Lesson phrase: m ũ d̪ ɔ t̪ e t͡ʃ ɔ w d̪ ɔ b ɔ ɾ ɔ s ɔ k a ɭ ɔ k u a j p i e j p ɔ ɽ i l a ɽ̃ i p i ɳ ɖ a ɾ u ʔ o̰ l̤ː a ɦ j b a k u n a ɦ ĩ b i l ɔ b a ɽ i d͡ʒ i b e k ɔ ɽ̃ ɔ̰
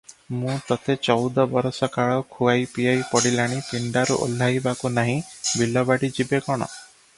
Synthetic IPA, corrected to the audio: m ũ t̪ ɔ t̪ e t͡ʃ ɔ w d̪ ɔ b ɔ ɾ ɔ s ɔ k a ɭ ɔ kʰ u a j p i a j p ɔ ɽ i l a ɽ̃ i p i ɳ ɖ a ɾ u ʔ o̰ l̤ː a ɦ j b a k u n a ɦ ĩ b i l ɔ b a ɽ i d͡ʒ i b e k ɔ ɽ̃ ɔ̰